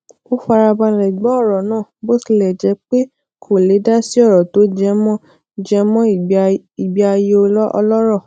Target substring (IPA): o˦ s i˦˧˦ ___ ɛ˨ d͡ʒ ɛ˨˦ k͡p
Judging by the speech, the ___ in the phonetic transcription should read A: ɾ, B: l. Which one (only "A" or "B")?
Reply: B